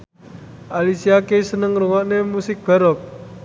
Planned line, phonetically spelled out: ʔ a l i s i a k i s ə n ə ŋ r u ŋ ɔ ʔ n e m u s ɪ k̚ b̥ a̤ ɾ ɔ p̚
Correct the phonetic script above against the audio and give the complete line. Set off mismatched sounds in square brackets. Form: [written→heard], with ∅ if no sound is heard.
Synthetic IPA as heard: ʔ a l i s i a k [i→e] s ə n ə ŋ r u ŋ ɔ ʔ n e m u s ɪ k̚ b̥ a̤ ɾ ɔ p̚

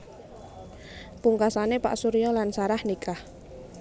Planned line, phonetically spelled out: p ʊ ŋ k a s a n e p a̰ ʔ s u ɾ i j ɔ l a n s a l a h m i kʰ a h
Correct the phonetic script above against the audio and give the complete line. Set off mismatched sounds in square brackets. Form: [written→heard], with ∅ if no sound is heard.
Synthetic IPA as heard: p [ʊ→u] ŋ k a s a n e p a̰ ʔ s u ɾ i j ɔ l a n s a [l→ɾ] a h [m→n] i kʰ a h

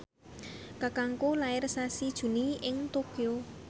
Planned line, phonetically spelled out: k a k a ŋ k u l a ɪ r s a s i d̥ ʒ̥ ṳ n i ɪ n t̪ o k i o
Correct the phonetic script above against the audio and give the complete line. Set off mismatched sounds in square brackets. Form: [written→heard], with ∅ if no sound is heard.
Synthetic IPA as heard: k a k a ŋ k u l a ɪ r s a s i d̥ ʒ̥ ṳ n i ɪ [n→ŋ] t̪ o k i o

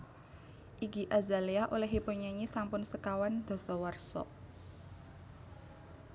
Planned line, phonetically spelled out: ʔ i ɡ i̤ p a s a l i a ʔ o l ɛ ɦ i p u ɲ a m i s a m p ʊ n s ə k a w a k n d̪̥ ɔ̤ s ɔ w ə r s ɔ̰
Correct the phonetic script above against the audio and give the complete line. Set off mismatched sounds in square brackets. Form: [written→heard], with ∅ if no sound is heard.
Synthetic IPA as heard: ʔ i ɡ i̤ [p→ʔ] a [s→z] a l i a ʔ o l ɛ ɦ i p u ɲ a [m→ɲ] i s a m p ʊ n s ə k a w a [k→∅] n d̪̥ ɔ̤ s ɔ w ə r s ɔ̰

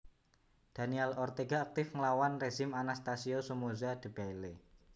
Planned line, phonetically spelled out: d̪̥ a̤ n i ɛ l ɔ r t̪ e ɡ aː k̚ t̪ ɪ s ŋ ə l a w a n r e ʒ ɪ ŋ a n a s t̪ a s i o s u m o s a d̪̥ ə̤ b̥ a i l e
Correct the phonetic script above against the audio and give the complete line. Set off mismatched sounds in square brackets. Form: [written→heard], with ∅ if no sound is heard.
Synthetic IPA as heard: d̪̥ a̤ n i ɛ l ɔ r t̪ e ɡ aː k̚ t̪ ɪ [s→f] ŋ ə l a w a n r e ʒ ɪ [ŋ→m] a n a s t̪ a s i o s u m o [s→z] a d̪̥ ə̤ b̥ a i l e

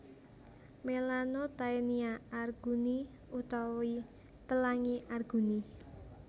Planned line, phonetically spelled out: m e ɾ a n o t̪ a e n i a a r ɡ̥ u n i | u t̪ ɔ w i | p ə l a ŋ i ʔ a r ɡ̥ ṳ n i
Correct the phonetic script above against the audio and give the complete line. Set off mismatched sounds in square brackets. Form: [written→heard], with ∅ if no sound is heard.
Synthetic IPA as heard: m e [ɾ→l] a n o t̪ a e n i a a r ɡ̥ u n i | u t̪ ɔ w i | p ə l a ŋ i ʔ a r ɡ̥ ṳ n i

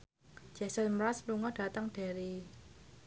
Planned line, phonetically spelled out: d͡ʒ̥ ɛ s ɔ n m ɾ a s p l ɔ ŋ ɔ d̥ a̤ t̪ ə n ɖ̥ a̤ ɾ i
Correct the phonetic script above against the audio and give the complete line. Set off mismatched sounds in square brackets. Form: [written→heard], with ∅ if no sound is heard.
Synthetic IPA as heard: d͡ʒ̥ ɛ s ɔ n m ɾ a s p l [ɔ→u] ŋ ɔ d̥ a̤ t̪ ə [n→ŋ] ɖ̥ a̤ ɾ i

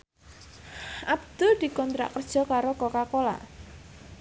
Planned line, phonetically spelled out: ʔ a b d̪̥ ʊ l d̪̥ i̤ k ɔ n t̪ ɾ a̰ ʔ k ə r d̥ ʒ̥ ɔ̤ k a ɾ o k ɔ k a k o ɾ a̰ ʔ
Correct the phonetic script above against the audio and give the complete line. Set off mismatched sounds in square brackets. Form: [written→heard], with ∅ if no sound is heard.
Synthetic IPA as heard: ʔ a b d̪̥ ʊ l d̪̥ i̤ k ɔ n t̪ ɾ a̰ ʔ k ə r d̥ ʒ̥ ɔ̤ k a ɾ o k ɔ k a k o [ɾ→l] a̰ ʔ

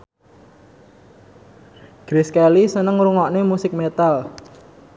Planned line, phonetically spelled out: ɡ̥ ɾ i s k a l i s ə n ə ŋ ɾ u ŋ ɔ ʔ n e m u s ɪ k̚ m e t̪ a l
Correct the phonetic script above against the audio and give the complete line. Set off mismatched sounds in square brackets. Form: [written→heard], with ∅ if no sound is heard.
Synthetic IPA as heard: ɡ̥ ɾ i s k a l i s ə n ə ŋ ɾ u ŋ ɔ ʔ n e m u s ɪ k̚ m e t̪ a l

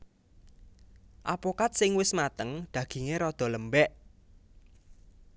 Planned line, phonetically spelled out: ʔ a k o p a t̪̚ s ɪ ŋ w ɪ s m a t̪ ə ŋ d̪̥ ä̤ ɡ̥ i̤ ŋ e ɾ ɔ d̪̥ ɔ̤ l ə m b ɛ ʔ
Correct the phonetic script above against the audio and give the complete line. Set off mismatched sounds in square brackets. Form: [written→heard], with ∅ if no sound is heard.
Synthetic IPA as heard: ʔ a [k→p] o [p→k] a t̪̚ s ɪ ŋ w ɪ s m a t̪ ə ŋ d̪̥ ä̤ ɡ̥ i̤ ŋ e ɾ ɔ d̪̥ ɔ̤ l ə m b ɛ ʔ

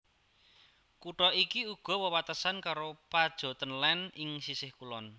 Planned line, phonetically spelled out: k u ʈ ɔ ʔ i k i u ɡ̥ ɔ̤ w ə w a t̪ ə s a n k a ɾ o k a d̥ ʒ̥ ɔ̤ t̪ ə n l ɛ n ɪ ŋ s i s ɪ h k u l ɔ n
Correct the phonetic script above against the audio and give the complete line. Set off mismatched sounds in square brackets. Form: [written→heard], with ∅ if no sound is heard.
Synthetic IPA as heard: k u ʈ ɔ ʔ i k i u ɡ̥ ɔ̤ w ə w a t̪ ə s a n k a ɾ o [k→p] a d̥ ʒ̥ ɔ̤ t̪ ə n l ɛ n ɪ ŋ s i s ɪ h k u l ɔ n

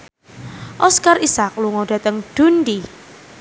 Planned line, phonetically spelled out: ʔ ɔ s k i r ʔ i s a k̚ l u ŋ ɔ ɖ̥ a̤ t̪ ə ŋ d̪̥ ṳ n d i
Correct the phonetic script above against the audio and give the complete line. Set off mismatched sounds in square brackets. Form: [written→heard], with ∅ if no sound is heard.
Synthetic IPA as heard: ʔ ɔ s k [i→a] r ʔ i s a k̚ l u ŋ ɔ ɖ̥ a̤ t̪ ə ŋ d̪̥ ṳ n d i

